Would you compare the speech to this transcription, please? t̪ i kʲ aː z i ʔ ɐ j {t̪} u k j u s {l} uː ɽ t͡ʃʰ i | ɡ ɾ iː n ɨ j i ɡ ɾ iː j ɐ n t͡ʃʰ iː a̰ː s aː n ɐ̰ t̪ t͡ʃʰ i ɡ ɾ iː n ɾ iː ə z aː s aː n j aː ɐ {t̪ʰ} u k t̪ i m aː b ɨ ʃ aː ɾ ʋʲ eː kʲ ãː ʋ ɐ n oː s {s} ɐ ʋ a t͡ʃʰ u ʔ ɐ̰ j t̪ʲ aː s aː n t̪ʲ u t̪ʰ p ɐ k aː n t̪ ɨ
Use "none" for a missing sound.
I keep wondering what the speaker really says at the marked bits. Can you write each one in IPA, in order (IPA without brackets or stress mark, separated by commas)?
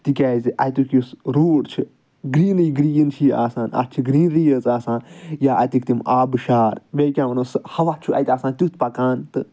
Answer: t̪, ɾ, t̪, h